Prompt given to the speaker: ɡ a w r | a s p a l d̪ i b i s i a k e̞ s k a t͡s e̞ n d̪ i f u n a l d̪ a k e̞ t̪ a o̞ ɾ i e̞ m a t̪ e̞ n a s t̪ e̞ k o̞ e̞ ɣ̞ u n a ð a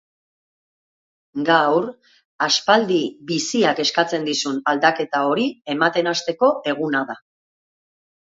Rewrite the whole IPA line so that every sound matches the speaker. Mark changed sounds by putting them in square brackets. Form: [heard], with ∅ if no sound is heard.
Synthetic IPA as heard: ɡ a w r | a s p a l d̪ i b i s i a k e̞ s k a t͡s e̞ n d̪ i [s] u n a l d̪ a k e̞ t̪ a o̞ ɾ i e̞ m a t̪ e̞ n a s t̪ e̞ k o̞ e̞ ɣ̞ u n a ð a